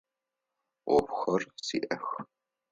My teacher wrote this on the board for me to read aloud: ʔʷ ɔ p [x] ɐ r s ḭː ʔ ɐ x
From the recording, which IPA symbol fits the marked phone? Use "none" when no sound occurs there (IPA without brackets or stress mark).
x